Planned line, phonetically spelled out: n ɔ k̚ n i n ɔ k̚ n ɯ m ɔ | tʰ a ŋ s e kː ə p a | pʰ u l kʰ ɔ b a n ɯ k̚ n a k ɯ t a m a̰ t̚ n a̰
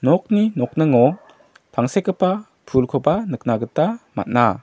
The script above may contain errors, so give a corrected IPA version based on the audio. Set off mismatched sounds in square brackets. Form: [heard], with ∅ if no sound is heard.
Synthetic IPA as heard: n ɔ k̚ n i n ɔ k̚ n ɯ [ŋ] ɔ | [pʰ] a ŋ s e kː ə p a | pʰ u l kʰ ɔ b a n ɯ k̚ n a [ɡ] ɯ t a m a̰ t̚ n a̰